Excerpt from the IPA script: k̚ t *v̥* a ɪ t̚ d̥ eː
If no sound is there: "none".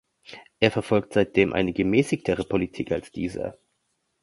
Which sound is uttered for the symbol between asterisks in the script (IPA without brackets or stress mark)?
z̥